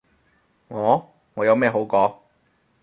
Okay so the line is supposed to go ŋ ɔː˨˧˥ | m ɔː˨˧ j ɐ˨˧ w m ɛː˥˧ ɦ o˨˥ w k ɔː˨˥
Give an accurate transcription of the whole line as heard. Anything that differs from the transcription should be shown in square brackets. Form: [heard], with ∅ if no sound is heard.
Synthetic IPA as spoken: ŋ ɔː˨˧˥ | [ŋ] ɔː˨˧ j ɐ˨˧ w m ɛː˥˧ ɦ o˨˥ w k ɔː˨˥